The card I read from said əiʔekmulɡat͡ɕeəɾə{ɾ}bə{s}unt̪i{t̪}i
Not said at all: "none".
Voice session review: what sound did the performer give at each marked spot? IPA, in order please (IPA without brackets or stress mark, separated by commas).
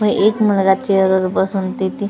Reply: ɾ, s, t̪